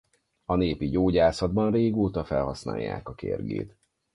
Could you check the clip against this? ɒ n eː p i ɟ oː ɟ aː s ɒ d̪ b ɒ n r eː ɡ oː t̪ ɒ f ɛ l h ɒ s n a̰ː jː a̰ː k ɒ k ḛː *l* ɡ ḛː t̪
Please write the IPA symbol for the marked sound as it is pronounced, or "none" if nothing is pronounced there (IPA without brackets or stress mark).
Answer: r